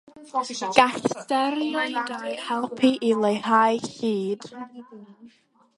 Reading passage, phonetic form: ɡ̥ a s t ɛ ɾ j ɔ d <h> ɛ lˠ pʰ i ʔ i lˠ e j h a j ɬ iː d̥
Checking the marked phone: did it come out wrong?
no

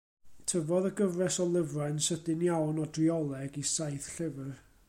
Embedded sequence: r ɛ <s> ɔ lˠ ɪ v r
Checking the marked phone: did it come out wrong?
no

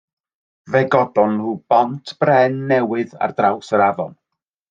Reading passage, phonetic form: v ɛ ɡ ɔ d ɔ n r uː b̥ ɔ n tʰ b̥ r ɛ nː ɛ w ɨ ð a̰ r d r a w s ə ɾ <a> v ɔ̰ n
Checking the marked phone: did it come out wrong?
no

